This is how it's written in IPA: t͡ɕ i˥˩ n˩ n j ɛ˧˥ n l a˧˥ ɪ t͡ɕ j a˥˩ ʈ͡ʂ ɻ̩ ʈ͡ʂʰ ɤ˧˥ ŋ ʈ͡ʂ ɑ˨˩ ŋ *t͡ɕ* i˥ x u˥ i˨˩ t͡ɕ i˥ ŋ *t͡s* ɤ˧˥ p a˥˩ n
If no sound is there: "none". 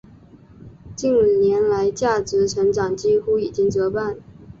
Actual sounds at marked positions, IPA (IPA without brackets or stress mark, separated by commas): t͡ɕ, t͡s